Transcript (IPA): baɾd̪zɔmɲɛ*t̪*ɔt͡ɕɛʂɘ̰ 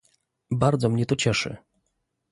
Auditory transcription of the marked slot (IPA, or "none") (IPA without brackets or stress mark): t̪